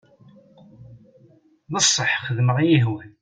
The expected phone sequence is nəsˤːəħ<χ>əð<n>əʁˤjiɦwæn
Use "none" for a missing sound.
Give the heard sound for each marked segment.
χ, m

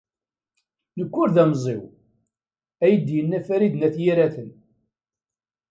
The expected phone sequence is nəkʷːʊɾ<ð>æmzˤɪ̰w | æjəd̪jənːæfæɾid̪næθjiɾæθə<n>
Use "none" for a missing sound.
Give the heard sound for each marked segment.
ð, n

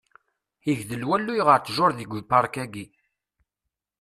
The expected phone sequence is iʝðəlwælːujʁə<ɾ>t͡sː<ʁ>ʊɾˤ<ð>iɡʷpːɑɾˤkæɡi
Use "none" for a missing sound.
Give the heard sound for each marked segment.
ɾ, ʒ, ð

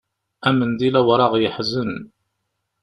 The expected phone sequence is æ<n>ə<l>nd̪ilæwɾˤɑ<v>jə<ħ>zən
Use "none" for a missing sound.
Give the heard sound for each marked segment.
m, none, ʁ, ħ

